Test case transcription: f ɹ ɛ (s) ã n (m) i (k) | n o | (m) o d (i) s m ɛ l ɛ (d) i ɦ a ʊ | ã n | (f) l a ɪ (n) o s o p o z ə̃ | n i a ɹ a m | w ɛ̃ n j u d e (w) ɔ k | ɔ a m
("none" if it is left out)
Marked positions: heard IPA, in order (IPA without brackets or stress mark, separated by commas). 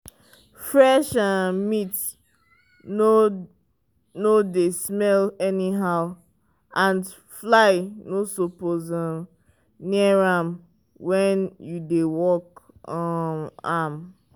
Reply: ʃ, m, t, n, e, n, f, n, w